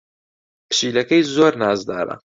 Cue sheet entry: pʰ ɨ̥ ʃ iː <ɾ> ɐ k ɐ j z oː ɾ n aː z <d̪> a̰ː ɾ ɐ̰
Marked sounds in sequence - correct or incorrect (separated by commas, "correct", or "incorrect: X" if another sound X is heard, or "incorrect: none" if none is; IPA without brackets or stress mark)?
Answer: incorrect: l, correct